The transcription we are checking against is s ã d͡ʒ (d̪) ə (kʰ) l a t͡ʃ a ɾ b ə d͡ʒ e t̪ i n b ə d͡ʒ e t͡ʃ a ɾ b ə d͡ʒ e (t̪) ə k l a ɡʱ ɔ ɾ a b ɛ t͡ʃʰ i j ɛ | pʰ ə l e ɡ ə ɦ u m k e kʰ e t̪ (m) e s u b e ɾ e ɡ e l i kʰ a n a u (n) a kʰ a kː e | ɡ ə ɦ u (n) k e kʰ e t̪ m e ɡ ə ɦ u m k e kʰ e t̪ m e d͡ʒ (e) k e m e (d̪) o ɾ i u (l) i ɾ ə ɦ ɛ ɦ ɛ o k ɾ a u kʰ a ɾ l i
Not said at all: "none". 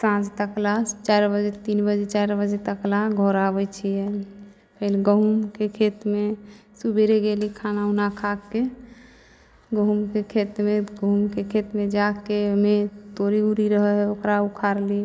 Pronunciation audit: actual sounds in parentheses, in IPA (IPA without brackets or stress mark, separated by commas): t̪, k, t̪, m, n, m, a, t̪, ɾ